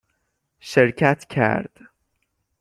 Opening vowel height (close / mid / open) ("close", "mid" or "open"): mid